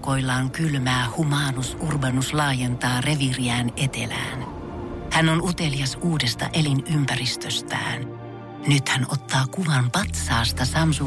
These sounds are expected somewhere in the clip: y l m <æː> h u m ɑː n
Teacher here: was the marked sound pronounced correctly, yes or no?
yes